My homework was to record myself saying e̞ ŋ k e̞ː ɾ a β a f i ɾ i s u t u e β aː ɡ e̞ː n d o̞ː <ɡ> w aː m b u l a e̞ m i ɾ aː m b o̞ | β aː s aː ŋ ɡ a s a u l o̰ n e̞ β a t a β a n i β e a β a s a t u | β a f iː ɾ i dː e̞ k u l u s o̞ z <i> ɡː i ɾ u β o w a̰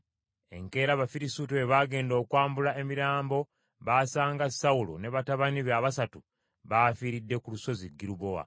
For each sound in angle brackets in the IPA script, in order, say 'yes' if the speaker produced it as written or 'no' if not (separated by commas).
no, yes